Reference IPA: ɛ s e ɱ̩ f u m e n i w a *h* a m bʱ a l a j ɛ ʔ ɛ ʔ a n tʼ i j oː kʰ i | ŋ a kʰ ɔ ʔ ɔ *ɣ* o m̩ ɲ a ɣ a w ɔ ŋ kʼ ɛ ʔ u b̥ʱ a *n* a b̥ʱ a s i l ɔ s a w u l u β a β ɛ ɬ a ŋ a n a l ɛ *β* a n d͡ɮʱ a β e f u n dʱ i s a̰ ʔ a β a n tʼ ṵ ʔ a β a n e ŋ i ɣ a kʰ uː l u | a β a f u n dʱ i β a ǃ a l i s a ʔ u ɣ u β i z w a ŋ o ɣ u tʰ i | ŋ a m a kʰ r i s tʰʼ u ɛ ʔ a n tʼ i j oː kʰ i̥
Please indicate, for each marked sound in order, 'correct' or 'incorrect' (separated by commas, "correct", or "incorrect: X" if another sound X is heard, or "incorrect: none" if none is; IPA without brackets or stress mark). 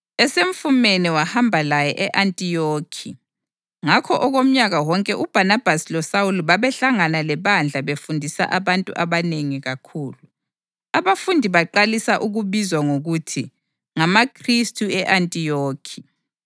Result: correct, correct, correct, correct